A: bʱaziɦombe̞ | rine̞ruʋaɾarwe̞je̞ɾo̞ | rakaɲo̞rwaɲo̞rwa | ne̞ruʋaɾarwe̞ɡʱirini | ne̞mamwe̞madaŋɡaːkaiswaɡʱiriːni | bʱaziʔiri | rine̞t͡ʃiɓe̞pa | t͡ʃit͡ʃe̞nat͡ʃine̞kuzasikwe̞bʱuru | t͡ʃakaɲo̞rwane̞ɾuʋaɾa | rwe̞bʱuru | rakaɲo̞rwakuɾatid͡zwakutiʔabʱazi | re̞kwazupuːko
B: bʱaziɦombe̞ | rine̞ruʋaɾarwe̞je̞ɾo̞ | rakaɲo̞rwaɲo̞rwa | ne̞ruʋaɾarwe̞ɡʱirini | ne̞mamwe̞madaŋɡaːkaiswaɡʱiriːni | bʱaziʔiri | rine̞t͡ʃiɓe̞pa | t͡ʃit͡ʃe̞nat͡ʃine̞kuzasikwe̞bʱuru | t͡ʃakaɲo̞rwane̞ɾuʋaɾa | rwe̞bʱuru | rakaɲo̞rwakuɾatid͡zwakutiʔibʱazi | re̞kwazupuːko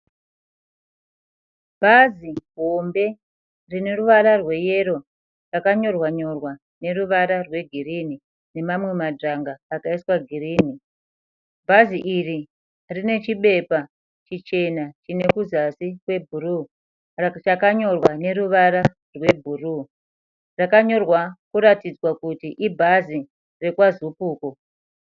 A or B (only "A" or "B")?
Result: B